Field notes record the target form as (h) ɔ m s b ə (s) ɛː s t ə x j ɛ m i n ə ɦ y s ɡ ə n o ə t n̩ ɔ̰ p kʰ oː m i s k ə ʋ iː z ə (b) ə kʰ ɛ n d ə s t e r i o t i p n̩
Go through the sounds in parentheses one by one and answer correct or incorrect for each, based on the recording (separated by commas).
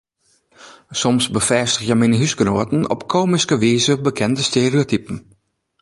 incorrect, incorrect, correct